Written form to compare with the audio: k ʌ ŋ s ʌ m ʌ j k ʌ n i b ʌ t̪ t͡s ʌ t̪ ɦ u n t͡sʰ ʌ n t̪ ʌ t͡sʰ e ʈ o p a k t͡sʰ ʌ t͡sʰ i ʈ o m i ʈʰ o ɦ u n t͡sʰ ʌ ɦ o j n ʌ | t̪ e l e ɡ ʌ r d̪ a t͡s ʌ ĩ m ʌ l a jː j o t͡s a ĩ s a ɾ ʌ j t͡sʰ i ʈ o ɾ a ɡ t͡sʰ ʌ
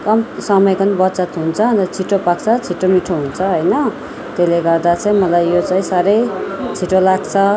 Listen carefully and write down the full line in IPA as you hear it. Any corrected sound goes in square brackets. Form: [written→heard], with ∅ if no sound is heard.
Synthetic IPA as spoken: k ʌ [ŋ→m] s ʌ m ʌ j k ʌ n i b ʌ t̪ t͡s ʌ t̪ ɦ u n t͡sʰ ʌ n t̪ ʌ t͡sʰ [e→i] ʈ o p a k t͡sʰ ʌ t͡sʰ i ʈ o m i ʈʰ o ɦ u n t͡sʰ ʌ ɦ o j n ʌ | t̪ e l e ɡ ʌ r d̪ a t͡s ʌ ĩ m ʌ l a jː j o t͡s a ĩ s a ɾ ʌ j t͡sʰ i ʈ o [ɾ→l] a ɡ t͡sʰ ʌ